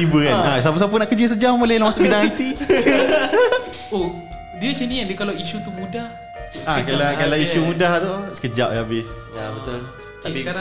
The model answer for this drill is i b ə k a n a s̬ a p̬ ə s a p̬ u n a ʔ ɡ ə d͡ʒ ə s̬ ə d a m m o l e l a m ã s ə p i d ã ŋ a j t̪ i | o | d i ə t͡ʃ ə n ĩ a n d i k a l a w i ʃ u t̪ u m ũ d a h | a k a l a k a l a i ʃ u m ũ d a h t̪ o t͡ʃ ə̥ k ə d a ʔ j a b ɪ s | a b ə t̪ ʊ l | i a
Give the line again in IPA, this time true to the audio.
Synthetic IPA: i b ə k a n a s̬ a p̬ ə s a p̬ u n a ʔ k ə d͡ʒ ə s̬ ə d͡ʒ a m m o l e l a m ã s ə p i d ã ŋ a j t̪ i | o | d i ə t͡ʃ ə n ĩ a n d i k a l a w i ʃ u t̪ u m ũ d a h | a k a l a k a l a i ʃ u m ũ d a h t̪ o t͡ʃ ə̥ k ə d͡ʒ a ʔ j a b ɪ s | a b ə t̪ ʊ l | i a